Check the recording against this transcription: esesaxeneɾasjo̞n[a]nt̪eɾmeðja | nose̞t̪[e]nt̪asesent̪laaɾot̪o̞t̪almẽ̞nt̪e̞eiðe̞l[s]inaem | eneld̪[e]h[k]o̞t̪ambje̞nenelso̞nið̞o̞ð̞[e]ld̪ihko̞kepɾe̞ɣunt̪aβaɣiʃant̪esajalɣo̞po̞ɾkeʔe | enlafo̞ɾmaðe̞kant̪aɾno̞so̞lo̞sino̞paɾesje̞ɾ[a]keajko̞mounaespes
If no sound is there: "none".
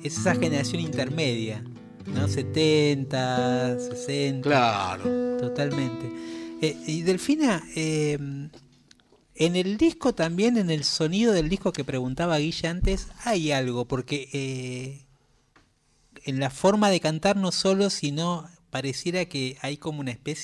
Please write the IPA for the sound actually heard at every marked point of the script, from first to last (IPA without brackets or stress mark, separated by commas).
i, e, f, i, k, e, a